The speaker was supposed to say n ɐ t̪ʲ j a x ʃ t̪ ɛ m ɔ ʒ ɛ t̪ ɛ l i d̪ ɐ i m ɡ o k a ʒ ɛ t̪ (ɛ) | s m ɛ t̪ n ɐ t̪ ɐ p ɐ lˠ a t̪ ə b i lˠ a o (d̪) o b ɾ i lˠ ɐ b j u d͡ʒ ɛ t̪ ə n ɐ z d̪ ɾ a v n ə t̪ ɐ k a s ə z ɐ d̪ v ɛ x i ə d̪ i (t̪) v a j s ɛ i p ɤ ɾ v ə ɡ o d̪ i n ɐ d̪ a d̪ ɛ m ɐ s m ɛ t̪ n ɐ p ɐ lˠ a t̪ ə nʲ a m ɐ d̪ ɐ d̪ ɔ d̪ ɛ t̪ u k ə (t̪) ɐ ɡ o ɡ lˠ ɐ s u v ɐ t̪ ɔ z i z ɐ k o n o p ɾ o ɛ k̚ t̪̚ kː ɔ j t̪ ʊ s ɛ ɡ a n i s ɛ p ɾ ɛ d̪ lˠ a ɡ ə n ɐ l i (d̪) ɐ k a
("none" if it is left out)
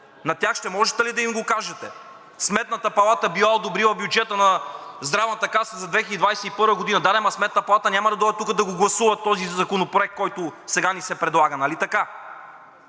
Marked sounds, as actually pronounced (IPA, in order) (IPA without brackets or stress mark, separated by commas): ɛ, d̪, d̪, d̪, t̪